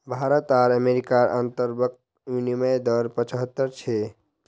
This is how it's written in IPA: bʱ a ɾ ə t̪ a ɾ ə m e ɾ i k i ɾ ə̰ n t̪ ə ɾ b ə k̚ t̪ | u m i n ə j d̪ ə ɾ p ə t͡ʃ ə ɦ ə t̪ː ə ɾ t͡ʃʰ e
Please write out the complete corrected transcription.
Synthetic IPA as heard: bʱ a ɾ ə t̪ a ɾ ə m e ɾ i k a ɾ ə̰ n t̪ ə ɾ b ə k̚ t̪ | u n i m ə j d̪ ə ɾ p ə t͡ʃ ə ɦ ə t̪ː ə ɾ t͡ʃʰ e